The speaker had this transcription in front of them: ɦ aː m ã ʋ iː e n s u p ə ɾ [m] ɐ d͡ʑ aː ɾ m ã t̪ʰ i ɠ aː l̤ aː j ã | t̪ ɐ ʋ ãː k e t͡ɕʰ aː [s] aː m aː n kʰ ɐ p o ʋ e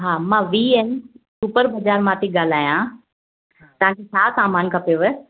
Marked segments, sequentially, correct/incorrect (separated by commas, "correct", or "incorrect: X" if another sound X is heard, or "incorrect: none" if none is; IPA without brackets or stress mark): incorrect: b, correct